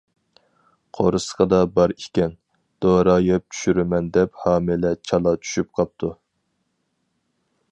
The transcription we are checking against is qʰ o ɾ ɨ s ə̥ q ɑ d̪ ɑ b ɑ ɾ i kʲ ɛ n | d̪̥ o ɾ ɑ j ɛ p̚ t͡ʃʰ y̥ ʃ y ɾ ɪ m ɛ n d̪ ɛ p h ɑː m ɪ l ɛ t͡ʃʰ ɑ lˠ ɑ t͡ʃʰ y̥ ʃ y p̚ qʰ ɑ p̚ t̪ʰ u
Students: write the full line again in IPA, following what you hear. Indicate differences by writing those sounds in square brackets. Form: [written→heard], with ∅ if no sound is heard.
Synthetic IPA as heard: qʰ o ɾ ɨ s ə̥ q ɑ d̪ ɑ b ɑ ɾ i kʲ ɛ n | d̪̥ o ɾ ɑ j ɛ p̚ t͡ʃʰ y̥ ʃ y ɾ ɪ m ɛ n d̪ ɛ p h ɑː m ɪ l ɛ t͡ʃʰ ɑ lˠ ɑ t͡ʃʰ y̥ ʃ y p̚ qʰ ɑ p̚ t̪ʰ u